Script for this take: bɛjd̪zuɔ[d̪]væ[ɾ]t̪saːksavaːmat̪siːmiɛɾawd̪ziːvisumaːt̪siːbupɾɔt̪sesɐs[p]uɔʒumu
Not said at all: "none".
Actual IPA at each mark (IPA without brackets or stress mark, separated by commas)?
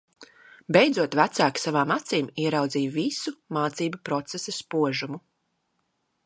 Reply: t̪, none, p